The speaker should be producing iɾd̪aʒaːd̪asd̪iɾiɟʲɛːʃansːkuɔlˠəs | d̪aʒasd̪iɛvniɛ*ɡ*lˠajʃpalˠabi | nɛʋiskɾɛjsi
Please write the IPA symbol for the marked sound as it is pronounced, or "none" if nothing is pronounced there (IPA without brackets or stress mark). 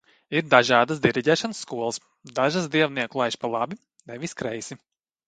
k